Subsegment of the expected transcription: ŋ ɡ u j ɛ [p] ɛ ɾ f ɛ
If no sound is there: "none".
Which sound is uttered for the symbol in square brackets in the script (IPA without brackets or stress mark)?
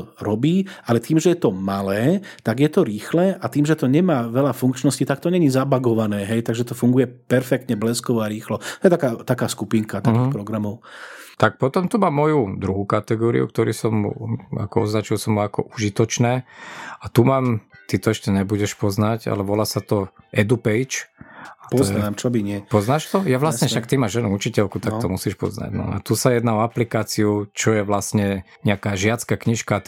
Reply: p